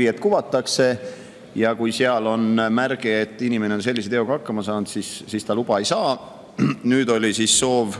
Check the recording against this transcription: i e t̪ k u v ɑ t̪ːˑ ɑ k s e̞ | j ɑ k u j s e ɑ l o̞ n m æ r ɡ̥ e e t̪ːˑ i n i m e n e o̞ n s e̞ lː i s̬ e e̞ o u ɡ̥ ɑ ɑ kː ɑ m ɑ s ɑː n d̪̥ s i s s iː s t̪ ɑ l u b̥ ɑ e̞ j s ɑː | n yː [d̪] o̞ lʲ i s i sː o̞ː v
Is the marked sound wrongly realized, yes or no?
no